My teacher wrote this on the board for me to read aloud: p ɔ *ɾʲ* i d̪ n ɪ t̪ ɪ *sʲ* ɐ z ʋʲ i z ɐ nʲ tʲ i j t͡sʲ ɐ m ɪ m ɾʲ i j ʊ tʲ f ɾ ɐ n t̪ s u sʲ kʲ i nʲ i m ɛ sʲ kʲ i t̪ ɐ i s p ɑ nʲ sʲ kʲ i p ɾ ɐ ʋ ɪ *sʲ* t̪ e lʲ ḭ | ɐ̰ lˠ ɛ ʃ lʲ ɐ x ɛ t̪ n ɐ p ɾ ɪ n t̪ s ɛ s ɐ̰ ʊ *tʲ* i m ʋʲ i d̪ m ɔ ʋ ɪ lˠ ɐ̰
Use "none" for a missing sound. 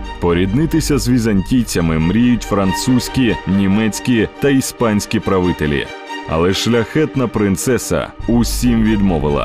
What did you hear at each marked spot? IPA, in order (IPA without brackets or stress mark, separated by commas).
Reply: ɾʲ, sʲ, none, sʲ